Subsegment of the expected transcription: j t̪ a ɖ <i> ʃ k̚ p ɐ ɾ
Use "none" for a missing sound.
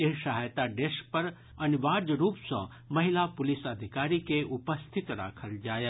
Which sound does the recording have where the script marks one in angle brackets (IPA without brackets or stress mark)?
e